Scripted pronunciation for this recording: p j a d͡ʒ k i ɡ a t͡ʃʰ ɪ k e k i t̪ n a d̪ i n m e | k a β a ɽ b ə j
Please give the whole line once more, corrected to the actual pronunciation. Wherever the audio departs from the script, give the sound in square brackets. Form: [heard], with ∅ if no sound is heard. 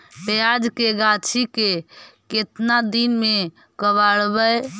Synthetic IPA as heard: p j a d͡ʒ k [e] ɡ a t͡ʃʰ [i] k e k [e] t̪ n a d̪ i n m e | k [ə] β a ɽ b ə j